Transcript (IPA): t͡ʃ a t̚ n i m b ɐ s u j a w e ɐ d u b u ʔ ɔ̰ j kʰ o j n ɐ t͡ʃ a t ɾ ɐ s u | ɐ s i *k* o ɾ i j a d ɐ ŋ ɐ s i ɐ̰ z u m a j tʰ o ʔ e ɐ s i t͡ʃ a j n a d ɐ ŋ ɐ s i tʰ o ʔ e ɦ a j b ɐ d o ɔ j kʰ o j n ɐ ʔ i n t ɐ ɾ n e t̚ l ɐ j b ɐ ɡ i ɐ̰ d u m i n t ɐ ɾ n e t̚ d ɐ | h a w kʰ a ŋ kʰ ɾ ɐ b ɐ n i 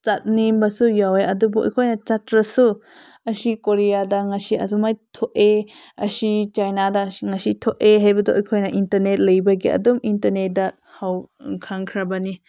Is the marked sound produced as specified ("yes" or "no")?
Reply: yes